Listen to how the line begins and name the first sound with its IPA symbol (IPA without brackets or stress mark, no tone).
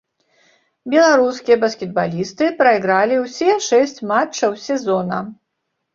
bʲ